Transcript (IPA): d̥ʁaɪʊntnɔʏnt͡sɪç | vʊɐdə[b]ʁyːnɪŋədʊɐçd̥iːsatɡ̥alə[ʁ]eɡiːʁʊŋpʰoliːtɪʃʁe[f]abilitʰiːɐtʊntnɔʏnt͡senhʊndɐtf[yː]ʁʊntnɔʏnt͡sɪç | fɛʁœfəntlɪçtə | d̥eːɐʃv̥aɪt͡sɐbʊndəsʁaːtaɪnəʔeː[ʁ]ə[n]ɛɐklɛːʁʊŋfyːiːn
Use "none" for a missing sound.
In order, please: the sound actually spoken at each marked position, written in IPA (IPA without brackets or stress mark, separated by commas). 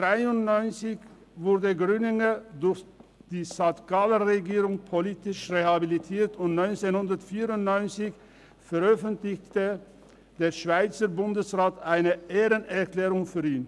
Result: ɡ, ʁ, h, iː, ʁ, n